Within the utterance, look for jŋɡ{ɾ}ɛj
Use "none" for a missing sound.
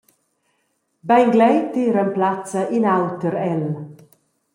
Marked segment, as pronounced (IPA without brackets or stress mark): l